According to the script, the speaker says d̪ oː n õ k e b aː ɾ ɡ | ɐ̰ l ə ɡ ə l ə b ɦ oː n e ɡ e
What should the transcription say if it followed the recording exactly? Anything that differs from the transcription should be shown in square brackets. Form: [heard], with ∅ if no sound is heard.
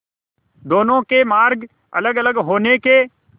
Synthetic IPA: d̪ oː n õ k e [m] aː ɾ ɡ | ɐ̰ l ə ɡ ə l ə [ɡ] ɦ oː n e [k] e